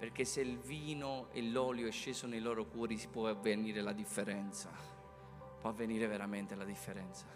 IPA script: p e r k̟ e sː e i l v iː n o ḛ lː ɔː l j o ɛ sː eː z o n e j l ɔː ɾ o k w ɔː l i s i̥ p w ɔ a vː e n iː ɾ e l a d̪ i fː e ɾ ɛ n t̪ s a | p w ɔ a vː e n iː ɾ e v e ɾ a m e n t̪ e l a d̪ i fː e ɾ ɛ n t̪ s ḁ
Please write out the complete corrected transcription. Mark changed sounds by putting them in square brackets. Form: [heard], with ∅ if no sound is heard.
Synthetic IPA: p e r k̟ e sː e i l v iː n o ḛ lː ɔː l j o ɛ [ʃː] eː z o n e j l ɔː ɾ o k w ɔː [ɾ] i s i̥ p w ɔ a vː e n iː ɾ e l a d̪ i fː e ɾ ɛ n t̪ s a | p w ɔ a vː e n iː ɾ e v e ɾ a m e n t̪ e l a d̪ i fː e ɾ ɛ n t̪ s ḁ